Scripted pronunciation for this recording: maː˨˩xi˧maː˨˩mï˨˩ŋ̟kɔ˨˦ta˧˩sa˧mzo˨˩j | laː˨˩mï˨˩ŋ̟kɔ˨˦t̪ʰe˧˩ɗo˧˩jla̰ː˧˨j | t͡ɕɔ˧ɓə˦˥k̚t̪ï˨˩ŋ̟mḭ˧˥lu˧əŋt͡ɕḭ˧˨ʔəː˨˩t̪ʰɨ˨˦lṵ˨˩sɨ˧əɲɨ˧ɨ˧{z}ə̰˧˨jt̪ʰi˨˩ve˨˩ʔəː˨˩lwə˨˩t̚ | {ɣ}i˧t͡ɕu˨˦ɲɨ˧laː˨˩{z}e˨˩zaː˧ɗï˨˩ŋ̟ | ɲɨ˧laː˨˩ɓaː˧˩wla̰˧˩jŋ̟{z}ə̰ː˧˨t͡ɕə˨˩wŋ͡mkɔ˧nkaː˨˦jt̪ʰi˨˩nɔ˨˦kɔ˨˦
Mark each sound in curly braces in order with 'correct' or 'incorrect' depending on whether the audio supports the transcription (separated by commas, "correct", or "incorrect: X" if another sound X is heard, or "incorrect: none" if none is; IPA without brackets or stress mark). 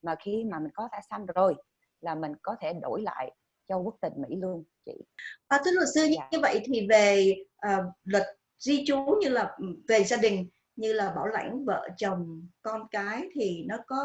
incorrect: v, incorrect: z, incorrect: v, incorrect: v